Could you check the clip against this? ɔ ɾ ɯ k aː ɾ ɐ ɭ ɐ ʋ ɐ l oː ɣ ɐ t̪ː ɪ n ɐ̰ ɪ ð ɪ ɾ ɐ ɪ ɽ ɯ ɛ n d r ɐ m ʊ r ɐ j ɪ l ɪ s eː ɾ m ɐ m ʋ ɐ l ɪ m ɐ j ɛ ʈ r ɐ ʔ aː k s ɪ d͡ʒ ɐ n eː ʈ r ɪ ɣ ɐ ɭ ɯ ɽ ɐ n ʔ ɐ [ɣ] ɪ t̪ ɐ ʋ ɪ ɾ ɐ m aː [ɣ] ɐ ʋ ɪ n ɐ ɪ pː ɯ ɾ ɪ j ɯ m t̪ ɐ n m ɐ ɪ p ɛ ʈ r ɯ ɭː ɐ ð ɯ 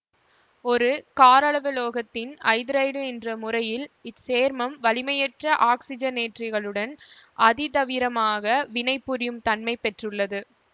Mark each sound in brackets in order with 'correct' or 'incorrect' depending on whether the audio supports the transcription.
incorrect: ð, correct

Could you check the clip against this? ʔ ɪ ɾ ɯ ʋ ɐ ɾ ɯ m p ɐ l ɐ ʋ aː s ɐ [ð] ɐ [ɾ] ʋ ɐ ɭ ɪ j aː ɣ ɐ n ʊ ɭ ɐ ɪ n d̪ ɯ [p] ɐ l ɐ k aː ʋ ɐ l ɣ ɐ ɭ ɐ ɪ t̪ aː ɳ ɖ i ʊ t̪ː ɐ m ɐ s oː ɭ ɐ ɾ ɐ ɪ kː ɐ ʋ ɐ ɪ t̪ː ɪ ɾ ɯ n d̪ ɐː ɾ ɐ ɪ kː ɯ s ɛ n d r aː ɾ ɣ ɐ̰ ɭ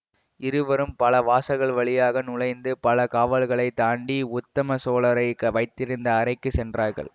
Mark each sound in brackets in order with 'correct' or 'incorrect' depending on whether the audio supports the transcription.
incorrect: ɣ, incorrect: ɭ, correct

